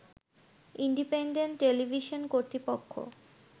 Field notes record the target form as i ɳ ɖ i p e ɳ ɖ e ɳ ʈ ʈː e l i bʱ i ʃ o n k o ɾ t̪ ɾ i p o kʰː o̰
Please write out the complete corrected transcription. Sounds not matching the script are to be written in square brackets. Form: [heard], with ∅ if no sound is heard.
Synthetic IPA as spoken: i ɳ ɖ i p e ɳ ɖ e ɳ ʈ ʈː e l i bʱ i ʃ o n k o ɾ t̪ ɾ i p o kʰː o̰

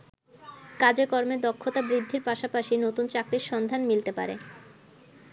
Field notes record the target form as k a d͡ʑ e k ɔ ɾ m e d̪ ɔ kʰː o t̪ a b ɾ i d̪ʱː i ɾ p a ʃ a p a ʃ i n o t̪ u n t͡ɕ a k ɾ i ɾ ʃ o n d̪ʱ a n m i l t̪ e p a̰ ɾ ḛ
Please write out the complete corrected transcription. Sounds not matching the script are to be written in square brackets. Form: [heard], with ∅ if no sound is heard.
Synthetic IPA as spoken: k a d͡ʑ e k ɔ ɾ m e d̪ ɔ kʰː o t̪ a b ɾ i d̪ʱː i ɾ p a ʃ a p a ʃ i n o t̪ u n t͡ɕ a k ɾ i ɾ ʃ [ɔ] n d̪ʱ a n m i l t̪ e p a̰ ɾ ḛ

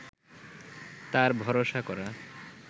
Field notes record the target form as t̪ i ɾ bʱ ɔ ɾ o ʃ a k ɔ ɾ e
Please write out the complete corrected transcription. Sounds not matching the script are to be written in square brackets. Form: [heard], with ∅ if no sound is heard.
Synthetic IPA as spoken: t̪ [a] ɾ bʱ ɔ ɾ o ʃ a k ɔ ɾ [a]

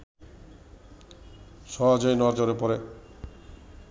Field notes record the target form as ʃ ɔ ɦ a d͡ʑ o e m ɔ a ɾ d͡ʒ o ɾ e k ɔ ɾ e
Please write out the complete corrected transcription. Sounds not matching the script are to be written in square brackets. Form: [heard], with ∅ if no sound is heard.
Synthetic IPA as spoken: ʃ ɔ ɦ a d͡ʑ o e [n] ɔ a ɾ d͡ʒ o ɾ e [p] ɔ ɾ e

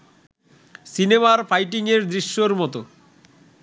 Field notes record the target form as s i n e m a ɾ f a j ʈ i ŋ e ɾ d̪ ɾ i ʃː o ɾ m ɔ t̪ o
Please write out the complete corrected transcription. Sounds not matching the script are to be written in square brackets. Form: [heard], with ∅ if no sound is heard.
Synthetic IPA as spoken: s i n e m a ɾ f a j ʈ i ŋ e ɾ d̪ ɾ i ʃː o ɾ m ɔ t̪ o

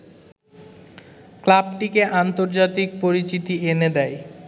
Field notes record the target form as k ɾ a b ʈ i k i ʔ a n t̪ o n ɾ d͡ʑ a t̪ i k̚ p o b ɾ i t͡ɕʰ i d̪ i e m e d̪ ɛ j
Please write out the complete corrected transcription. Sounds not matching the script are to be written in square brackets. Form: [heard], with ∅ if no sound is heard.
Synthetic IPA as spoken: k [l] a b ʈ i k [e] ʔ a n t̪ o [∅] ɾ d͡ʑ a t̪ i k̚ p o [∅] ɾ i [t͡ɕ] i [t̪] i e [n] e d̪ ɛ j

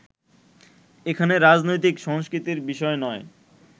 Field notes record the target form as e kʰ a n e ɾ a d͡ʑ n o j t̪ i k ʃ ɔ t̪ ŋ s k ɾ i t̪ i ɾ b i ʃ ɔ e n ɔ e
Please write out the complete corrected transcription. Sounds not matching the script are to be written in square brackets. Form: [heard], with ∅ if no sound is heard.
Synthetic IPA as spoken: e kʰ a n e ɾ a d͡ʑ n o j t̪ i k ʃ ɔ [∅] ŋ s k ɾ i t̪ i ɾ b i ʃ ɔ e n ɔ e

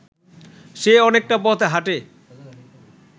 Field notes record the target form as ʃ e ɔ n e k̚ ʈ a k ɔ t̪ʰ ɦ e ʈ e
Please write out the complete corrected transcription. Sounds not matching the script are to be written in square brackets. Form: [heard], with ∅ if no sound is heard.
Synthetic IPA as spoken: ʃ e ɔ n e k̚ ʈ a [p] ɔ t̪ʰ ɦ [a] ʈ e

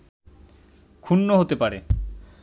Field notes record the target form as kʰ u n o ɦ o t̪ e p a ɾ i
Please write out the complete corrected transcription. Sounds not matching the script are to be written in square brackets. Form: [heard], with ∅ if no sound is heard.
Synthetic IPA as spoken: kʰ u [nː] o ɦ o t̪ e p a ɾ [e]

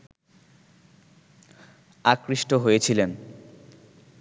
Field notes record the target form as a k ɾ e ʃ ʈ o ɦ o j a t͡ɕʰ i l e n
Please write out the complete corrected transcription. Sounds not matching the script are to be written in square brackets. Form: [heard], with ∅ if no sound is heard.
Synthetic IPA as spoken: a k ɾ [i] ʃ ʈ o ɦ o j [e] t͡ɕʰ i l e n

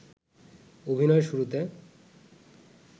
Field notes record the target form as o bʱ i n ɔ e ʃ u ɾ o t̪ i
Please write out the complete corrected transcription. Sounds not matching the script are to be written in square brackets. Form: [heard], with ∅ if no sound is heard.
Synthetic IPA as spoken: o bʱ i n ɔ e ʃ u ɾ [u] t̪ [e]

